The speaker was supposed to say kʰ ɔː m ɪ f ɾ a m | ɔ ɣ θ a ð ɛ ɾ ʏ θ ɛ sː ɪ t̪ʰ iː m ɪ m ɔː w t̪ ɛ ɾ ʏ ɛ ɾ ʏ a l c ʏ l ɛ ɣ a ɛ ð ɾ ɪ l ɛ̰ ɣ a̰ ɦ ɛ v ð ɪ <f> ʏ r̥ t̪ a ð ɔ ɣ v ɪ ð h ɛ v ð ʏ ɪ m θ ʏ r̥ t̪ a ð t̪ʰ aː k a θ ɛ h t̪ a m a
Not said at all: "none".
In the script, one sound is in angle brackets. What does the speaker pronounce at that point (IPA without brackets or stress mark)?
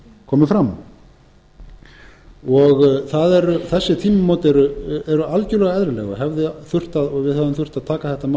θ